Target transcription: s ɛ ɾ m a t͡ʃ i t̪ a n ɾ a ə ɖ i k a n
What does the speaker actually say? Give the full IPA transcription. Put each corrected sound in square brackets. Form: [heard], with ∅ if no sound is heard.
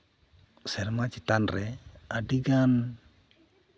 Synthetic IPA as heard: s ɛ ɾ m a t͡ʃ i t̪ a n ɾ [ɛ] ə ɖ i [ɡ] a n